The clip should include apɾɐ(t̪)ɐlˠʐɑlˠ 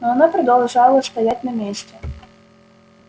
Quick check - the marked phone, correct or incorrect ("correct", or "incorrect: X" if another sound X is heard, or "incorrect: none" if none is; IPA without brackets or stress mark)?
incorrect: d̪